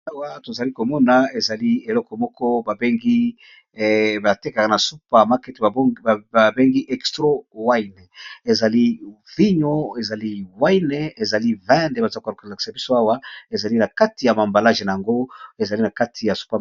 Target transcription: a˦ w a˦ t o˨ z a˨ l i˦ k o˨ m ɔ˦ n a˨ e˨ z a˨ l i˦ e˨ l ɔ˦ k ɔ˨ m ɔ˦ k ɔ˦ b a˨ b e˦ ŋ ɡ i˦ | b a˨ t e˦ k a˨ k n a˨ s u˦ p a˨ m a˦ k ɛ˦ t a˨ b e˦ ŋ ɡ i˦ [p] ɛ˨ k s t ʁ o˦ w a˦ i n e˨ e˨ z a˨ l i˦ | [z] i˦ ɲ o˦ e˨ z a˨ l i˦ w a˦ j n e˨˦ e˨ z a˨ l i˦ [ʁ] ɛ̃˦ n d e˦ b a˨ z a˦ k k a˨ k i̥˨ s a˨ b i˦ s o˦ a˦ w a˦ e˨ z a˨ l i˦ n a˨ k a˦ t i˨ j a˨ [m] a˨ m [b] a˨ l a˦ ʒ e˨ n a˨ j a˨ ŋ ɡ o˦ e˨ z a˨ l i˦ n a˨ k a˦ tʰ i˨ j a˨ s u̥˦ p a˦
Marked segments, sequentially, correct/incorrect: incorrect: ʔ, incorrect: v, incorrect: v, correct, correct

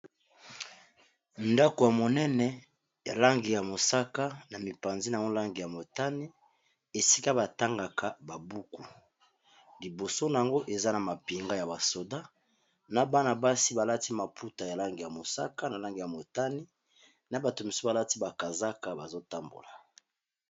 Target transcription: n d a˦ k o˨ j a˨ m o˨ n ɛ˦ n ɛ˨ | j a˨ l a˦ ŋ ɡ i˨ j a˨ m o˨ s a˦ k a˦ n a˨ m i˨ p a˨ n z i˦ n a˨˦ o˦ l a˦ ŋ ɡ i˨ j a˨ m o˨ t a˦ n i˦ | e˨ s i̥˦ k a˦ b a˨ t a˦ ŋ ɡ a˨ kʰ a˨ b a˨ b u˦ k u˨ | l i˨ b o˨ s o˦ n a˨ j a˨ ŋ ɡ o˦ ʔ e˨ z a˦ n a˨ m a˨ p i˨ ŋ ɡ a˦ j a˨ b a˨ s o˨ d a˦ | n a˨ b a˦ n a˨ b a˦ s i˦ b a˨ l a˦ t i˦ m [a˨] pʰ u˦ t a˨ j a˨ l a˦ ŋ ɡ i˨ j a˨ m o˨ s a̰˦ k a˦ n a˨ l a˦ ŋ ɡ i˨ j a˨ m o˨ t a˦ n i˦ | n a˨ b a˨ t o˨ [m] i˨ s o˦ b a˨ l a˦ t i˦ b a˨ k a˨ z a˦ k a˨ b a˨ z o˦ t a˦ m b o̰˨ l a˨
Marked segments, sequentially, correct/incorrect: correct, correct

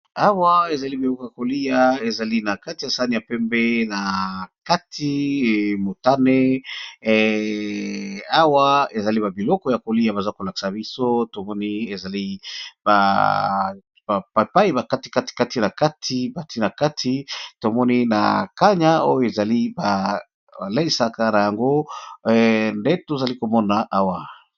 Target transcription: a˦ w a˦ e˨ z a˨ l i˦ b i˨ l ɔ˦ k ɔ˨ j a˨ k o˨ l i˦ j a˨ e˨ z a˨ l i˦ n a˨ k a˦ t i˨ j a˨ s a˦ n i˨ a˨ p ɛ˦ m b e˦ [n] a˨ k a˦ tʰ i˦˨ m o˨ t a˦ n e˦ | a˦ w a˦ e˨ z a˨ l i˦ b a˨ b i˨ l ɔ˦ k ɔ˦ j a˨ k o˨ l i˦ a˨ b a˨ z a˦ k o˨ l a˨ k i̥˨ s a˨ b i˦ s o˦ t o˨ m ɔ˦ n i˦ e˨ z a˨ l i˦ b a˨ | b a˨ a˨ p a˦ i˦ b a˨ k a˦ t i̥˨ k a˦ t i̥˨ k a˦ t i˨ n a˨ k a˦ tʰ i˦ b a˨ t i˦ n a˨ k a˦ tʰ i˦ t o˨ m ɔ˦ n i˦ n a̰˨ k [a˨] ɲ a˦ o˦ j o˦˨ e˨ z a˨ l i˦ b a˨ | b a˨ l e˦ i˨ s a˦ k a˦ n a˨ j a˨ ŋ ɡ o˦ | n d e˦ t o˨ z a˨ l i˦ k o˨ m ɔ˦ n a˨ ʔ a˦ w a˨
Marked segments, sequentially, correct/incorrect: correct, incorrect: a˦

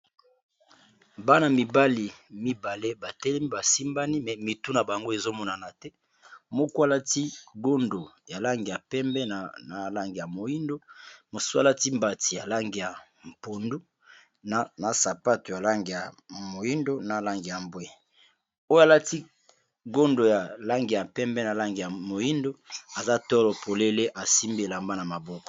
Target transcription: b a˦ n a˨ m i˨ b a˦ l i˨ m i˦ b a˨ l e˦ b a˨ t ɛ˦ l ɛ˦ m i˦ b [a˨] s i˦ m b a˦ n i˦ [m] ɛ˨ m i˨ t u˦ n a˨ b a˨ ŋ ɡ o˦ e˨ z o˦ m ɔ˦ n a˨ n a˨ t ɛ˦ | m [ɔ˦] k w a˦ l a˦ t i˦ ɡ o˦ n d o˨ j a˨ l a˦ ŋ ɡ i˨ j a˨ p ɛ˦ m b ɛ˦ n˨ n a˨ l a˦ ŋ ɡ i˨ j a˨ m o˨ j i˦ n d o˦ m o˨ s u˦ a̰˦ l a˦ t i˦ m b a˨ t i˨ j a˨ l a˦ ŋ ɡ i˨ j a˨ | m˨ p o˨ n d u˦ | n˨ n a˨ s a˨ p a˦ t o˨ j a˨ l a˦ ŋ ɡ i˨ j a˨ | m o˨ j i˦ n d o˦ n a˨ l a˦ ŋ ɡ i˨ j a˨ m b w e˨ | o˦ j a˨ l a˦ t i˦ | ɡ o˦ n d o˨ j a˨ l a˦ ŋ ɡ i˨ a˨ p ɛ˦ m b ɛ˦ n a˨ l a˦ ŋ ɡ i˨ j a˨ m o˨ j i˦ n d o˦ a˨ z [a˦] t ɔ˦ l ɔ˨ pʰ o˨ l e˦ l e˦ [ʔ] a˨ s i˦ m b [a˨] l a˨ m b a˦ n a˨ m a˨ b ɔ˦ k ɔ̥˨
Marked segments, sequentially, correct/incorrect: correct, correct, incorrect: o˦, correct, correct, incorrect: e˨

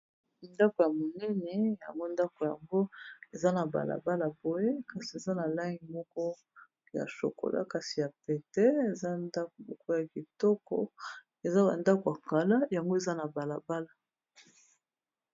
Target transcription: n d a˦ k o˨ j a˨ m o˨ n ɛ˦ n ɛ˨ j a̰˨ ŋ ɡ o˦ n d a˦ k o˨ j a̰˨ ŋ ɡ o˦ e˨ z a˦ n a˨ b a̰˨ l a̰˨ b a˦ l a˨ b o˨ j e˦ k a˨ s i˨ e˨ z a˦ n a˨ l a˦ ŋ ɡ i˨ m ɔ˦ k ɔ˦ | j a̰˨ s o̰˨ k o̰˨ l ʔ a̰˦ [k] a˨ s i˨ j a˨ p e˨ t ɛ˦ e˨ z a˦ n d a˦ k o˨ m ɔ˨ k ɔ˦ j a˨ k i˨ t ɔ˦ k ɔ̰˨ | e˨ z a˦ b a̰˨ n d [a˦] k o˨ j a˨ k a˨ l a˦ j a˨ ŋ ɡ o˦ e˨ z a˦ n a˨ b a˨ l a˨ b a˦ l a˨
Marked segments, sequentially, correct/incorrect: correct, correct

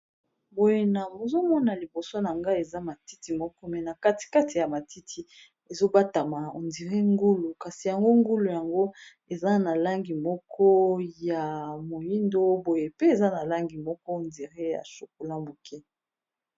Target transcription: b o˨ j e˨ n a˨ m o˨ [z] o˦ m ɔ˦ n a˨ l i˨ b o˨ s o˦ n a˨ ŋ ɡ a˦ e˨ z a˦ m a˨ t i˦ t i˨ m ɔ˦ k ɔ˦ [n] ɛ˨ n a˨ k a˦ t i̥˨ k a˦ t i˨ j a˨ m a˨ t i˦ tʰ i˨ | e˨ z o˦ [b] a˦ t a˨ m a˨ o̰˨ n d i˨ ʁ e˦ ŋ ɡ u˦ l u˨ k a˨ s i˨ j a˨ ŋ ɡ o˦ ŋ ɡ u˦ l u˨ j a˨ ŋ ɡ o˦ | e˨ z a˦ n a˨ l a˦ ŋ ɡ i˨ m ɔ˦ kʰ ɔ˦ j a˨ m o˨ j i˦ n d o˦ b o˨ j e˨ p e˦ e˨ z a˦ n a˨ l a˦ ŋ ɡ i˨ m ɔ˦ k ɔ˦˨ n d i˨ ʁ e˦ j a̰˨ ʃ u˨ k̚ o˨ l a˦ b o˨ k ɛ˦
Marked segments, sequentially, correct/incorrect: correct, incorrect: m, correct

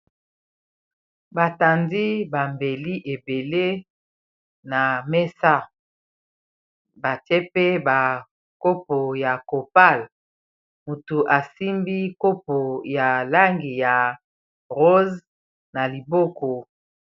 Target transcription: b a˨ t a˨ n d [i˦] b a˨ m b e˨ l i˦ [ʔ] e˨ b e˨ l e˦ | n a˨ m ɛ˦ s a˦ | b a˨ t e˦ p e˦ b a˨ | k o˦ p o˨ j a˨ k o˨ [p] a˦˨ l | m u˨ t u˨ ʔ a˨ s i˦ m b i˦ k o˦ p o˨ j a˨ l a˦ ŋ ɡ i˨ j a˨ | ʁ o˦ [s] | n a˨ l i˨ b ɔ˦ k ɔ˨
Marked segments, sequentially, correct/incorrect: correct, correct, correct, incorrect: z

